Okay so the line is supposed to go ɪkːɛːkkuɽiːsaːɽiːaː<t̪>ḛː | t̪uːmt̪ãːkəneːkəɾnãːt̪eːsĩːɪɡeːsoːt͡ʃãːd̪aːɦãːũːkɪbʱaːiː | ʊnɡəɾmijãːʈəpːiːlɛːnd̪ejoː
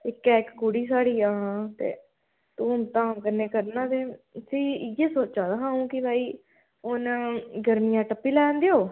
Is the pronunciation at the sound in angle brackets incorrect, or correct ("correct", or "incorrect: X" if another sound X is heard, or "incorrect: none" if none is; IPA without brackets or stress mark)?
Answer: correct